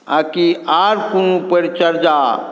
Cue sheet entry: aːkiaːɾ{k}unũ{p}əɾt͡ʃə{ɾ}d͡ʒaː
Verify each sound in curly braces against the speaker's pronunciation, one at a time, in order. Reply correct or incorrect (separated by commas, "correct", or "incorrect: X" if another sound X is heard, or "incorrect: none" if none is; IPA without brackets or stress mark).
correct, correct, correct